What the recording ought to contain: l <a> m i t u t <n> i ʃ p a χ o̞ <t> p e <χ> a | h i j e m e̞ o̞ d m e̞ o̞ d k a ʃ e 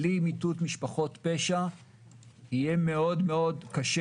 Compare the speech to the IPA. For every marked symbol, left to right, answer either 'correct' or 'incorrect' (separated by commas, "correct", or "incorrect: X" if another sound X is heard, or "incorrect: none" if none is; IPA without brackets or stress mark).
incorrect: i, incorrect: m, correct, incorrect: ʃ